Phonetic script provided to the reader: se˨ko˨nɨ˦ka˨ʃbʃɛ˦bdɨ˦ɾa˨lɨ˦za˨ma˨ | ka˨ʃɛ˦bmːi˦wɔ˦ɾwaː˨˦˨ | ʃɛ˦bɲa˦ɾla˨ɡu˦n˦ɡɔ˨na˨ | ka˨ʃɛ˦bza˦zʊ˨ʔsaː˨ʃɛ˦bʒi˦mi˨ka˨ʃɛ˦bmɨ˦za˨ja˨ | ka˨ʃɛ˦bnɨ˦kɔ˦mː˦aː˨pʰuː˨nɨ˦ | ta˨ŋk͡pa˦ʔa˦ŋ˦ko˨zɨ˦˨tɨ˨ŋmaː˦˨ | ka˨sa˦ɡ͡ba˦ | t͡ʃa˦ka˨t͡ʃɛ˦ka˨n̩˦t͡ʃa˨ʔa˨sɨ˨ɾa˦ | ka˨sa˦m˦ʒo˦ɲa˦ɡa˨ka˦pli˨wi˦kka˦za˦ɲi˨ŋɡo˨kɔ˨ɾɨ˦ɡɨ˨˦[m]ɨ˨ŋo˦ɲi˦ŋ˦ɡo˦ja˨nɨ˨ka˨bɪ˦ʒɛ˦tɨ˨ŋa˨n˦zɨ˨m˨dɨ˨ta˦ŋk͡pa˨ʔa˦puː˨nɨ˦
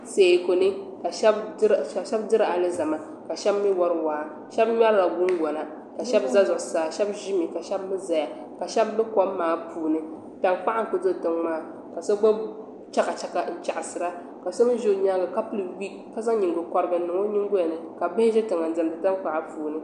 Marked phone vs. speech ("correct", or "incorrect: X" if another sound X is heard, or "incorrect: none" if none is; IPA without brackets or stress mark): incorrect: n